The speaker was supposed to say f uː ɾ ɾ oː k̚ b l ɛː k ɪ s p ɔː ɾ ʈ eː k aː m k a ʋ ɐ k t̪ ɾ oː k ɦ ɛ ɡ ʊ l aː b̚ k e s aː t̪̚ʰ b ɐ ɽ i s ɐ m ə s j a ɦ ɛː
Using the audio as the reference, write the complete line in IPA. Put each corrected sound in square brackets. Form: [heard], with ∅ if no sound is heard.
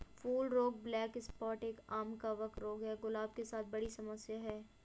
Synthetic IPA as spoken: f uː [l] ɾ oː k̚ b l ɛː k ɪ s p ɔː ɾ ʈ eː k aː m k a ʋ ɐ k t̪ ɾ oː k ɦ ɛ ɡ ʊ l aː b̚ k e s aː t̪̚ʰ b ɐ ɽ i s ɐ m ə s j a ɦ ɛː